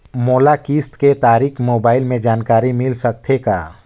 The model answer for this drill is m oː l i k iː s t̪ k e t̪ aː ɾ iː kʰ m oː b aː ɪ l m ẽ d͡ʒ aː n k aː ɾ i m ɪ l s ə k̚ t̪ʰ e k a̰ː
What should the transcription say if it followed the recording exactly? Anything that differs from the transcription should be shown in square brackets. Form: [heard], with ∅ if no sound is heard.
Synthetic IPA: m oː l [a] k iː s t̪ k e t̪ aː ɾ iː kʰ m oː b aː ɪ l m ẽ d͡ʒ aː n k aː ɾ i m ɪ l s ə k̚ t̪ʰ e k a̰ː